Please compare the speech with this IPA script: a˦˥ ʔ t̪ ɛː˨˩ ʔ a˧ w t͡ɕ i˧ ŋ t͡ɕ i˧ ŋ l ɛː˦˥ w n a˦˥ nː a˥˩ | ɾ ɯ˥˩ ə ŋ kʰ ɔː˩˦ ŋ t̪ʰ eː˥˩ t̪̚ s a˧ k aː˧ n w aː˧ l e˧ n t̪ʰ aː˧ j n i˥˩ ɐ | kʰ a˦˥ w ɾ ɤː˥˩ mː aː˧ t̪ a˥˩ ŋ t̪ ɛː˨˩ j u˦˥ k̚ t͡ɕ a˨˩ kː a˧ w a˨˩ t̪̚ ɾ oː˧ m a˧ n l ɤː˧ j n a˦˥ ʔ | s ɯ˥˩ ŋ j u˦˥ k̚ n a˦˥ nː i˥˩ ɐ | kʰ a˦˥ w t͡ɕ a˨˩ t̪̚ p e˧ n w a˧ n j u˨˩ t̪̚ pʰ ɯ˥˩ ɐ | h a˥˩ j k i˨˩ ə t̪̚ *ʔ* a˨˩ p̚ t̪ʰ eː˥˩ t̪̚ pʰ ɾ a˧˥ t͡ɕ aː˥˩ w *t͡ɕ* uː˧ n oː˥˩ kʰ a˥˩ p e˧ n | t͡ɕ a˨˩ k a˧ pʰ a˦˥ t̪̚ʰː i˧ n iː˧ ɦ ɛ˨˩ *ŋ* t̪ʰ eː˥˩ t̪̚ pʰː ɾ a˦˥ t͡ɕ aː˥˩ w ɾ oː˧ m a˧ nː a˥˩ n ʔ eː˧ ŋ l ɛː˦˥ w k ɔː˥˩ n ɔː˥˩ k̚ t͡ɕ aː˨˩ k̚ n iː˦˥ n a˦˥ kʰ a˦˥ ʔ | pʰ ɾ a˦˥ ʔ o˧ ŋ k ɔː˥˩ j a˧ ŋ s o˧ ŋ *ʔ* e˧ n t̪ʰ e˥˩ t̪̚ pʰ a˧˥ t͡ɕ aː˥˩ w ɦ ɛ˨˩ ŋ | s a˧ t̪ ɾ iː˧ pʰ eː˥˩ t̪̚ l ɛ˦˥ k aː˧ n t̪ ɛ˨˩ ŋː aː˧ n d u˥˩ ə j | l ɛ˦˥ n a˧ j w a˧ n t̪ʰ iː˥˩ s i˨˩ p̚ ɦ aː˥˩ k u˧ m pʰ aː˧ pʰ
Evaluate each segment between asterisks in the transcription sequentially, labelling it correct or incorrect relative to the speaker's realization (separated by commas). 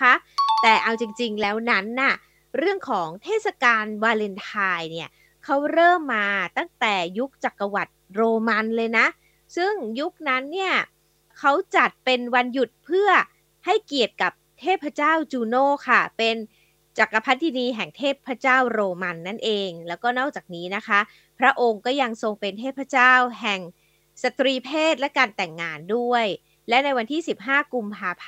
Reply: incorrect, correct, correct, incorrect